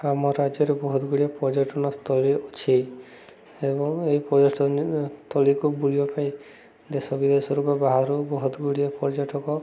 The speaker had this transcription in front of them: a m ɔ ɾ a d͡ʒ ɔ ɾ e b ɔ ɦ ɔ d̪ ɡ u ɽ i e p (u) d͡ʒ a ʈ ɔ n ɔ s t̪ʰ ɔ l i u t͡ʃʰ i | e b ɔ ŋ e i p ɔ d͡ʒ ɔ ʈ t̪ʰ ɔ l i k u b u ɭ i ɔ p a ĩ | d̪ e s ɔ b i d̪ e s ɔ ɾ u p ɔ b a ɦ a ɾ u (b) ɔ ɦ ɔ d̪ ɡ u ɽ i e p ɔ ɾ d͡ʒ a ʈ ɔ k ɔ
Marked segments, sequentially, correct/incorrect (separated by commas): incorrect, correct